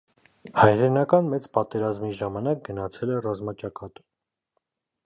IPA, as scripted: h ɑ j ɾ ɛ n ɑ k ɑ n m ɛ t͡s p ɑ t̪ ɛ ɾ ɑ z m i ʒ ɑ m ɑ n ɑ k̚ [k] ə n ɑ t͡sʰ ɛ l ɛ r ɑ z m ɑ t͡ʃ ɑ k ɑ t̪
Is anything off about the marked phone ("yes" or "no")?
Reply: yes